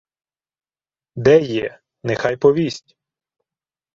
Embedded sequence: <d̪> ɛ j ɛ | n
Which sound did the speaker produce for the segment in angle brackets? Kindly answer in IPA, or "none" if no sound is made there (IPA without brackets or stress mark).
d̪